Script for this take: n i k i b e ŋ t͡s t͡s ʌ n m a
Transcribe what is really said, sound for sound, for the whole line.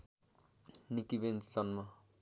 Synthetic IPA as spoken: n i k i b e n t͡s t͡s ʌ n m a